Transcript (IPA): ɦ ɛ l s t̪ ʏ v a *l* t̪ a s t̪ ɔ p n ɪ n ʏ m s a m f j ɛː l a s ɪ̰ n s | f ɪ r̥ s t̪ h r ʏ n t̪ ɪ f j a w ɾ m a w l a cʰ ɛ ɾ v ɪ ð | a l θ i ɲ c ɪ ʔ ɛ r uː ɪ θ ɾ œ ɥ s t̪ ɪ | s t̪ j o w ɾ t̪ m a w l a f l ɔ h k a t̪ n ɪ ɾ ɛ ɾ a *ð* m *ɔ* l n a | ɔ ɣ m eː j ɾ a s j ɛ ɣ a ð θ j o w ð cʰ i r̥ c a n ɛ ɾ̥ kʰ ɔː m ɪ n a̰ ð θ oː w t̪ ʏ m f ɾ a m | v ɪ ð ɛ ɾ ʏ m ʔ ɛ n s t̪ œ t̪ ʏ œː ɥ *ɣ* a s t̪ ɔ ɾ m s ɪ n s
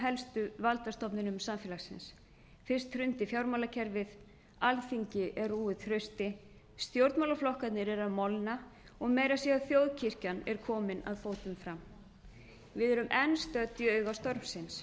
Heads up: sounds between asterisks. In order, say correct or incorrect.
correct, correct, correct, correct

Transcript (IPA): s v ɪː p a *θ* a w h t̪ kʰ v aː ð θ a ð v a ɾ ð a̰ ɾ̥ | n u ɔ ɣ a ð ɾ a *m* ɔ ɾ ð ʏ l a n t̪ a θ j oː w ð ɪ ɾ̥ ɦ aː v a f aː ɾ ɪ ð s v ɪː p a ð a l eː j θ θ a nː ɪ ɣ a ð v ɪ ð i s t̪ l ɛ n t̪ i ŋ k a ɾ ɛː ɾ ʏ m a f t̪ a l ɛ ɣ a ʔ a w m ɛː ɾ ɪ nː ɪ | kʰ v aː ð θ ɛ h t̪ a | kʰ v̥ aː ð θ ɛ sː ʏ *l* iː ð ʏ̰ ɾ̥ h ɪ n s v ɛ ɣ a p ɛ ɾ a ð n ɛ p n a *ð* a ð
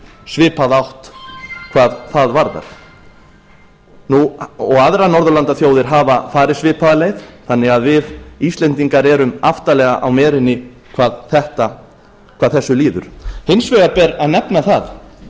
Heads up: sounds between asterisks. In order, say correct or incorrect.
incorrect: ð, incorrect: n, correct, incorrect: θ

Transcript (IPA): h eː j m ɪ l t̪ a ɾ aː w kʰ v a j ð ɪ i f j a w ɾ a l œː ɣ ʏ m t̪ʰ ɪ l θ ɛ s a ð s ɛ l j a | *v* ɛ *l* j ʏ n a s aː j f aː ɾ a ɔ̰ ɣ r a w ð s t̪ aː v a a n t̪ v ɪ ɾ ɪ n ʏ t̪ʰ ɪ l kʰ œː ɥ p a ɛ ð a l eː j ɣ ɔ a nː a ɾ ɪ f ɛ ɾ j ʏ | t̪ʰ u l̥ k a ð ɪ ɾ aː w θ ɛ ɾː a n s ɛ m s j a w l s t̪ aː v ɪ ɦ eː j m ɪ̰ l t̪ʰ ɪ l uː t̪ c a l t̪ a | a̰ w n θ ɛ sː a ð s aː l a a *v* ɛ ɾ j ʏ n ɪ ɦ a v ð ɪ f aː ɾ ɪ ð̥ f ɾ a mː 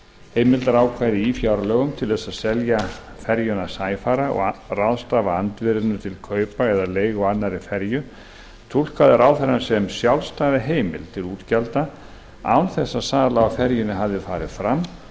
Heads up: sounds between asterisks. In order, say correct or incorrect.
incorrect: f, incorrect: ɾ, incorrect: f

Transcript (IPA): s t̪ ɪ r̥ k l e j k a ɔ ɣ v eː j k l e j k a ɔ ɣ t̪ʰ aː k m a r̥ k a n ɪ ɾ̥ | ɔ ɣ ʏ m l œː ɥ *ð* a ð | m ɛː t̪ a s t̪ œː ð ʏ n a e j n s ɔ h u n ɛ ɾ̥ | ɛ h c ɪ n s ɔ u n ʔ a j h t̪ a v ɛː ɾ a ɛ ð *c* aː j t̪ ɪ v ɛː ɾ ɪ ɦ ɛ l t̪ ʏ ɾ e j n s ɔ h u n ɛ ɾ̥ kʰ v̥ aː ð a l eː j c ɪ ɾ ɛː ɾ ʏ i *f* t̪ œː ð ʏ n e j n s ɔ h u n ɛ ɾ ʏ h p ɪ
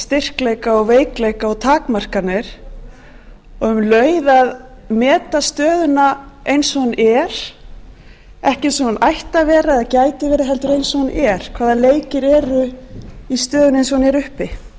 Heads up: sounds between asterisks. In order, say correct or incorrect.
correct, correct, incorrect: s

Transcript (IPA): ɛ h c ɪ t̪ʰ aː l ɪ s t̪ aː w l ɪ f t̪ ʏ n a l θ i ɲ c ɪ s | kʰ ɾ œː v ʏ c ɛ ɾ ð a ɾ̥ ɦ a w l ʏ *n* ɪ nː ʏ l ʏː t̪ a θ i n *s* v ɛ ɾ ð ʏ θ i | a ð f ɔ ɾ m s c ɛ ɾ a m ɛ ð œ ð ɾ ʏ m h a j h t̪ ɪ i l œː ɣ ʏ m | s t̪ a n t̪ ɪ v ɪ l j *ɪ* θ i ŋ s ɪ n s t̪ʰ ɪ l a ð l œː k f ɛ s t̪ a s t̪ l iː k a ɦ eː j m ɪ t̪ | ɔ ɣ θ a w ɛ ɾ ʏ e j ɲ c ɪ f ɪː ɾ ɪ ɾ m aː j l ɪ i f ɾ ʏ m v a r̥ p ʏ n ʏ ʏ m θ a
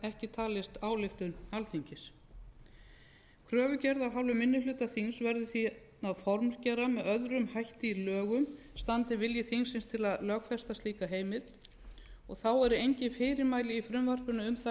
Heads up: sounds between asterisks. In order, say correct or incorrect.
incorrect: m, correct, correct

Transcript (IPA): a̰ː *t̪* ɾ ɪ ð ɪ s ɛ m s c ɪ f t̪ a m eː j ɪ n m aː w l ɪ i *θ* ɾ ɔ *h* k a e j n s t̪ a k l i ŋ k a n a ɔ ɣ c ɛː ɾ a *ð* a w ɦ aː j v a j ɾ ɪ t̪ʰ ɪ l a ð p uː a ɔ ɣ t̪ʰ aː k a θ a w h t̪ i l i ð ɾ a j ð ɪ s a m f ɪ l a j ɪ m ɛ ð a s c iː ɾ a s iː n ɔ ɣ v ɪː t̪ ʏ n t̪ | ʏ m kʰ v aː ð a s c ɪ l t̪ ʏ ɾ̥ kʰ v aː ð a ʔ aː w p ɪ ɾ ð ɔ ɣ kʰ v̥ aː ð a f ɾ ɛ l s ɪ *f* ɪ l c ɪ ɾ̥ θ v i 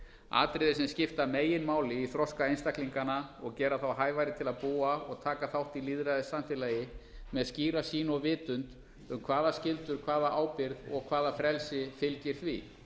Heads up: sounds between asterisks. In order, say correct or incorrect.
correct, correct, incorrect: s, incorrect: θ, correct

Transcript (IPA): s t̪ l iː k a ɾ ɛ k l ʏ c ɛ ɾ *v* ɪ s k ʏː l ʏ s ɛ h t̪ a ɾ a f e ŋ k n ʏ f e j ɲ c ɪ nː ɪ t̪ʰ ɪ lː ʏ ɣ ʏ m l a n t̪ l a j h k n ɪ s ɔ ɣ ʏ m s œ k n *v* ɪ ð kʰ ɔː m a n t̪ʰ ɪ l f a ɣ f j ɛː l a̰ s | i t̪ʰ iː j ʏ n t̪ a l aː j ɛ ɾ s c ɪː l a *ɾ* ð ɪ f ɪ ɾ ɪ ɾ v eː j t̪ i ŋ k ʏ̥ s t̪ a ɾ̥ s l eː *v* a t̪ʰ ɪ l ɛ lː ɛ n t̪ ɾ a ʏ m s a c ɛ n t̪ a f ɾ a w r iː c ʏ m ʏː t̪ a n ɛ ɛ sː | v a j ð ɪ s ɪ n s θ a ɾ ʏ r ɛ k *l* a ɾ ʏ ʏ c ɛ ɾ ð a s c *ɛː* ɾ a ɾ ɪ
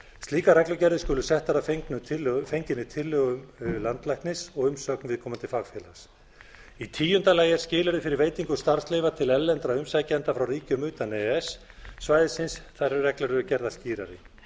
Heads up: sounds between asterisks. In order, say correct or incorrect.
incorrect: ð, correct, correct, correct, correct, incorrect: iː

